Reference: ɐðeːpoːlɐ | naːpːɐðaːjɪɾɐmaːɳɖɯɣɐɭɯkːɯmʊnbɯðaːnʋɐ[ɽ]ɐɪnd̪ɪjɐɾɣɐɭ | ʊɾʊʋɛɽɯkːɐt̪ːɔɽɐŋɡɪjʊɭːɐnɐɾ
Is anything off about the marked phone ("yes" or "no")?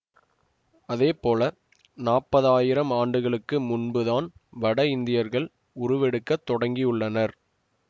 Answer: no